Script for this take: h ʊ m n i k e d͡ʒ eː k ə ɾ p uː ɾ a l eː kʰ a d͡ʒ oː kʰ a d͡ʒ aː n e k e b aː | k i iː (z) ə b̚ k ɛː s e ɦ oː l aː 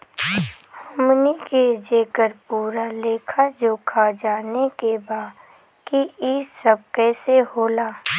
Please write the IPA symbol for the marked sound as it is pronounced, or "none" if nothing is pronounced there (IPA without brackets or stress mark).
s